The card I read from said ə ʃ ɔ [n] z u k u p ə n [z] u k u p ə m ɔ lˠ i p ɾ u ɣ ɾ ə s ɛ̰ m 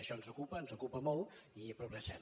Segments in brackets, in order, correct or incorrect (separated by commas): correct, correct